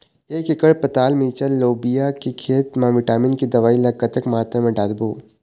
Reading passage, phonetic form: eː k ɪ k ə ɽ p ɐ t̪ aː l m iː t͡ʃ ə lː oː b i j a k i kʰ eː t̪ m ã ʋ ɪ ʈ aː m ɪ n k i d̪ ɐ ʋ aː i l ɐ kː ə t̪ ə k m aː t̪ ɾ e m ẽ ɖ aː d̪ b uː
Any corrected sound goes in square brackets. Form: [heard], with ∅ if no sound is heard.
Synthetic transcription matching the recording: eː k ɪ k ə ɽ p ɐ t̪ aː l m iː t͡ʃ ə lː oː b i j a k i kʰ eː t̪ m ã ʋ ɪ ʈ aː m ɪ n k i d̪ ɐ ʋ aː i l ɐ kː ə t̪ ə k m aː t̪ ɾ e m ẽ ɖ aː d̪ b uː